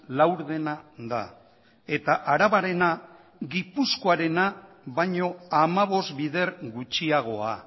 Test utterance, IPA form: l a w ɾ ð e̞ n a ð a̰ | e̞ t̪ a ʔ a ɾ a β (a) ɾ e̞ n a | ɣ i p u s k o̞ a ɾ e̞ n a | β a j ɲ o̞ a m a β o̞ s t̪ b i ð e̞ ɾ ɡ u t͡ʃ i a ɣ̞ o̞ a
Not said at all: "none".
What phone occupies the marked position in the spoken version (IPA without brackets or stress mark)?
a